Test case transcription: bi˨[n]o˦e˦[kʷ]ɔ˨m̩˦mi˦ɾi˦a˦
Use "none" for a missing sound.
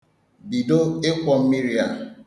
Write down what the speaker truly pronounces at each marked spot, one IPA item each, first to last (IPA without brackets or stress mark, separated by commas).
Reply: d, kʷ